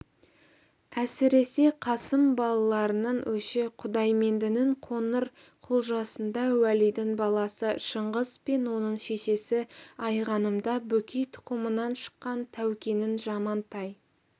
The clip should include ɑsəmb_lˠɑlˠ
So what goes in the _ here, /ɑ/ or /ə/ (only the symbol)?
ɑ